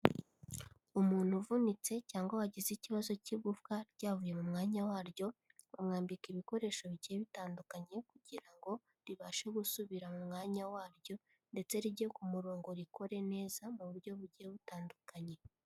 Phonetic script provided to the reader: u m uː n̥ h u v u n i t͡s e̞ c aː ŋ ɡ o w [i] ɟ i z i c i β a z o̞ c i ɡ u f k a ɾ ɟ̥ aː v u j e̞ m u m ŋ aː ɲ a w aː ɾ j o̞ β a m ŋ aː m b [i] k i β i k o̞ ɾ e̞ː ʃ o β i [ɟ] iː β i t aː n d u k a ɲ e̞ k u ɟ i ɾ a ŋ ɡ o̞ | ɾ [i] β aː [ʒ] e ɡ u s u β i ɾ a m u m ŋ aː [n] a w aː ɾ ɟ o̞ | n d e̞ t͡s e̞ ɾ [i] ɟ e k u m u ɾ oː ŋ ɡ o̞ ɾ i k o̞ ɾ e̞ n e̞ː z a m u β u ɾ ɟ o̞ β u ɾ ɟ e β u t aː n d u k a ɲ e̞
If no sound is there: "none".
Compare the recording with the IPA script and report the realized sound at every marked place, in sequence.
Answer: a, i, ɟ, i, ʃ, ɲ, i

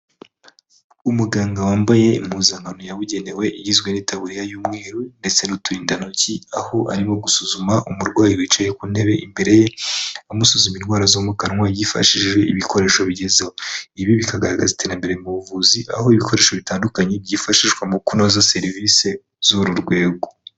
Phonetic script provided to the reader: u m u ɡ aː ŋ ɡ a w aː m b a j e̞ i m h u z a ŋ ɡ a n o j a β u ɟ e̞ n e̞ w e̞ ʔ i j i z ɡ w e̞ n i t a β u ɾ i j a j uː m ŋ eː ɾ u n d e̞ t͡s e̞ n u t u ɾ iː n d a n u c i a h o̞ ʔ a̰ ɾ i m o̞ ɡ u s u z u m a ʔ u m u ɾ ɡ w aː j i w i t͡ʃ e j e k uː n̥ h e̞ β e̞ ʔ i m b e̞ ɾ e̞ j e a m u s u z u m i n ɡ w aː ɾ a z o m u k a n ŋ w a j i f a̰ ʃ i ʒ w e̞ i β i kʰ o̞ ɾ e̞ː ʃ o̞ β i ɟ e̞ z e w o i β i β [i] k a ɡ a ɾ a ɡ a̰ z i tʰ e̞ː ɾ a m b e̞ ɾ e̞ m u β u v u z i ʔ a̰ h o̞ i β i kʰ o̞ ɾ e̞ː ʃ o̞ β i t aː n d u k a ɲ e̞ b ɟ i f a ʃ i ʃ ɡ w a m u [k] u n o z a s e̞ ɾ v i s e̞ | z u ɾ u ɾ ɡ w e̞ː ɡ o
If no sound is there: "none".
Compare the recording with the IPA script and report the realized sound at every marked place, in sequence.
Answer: i, k

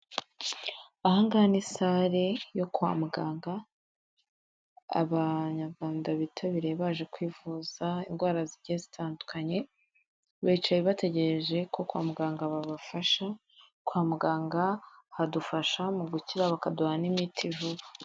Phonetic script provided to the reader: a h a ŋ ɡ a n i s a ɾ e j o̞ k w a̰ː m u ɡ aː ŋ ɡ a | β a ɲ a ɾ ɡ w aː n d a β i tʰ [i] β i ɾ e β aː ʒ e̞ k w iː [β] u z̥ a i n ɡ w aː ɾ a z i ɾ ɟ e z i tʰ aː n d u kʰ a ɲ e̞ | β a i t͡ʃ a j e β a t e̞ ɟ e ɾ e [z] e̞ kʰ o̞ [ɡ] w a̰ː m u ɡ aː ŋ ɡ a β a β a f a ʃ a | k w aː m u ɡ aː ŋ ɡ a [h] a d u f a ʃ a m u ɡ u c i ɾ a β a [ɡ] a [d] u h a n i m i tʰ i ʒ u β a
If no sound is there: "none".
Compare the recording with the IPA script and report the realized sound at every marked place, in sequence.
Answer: a, v, ʒ, k, h, k, d

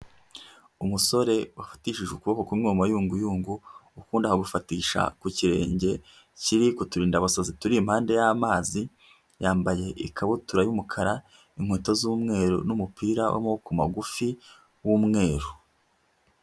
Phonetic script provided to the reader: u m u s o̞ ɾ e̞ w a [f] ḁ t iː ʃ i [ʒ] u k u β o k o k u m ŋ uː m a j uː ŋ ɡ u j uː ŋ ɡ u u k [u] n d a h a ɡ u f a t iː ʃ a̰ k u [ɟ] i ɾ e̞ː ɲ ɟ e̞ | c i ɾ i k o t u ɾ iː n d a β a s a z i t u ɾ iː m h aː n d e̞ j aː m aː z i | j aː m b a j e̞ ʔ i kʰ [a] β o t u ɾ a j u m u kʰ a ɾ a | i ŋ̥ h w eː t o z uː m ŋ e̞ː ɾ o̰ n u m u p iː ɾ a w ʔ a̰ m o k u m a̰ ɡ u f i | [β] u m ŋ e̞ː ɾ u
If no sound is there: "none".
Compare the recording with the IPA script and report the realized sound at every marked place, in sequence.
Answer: f, ʒ, uː, c, a, w

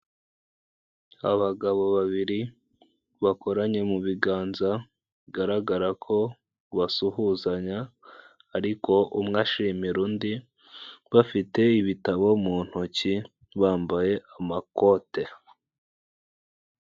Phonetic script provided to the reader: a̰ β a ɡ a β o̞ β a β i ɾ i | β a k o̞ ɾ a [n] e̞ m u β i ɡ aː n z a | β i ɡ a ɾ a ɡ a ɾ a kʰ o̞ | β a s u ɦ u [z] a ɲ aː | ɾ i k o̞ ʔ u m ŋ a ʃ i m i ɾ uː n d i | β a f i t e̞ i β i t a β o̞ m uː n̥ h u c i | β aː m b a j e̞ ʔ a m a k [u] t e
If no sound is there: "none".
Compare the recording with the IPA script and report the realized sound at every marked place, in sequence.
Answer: ɲ, z, o

